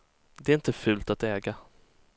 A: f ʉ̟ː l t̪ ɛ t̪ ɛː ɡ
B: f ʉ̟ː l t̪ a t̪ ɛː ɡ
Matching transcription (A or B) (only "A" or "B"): B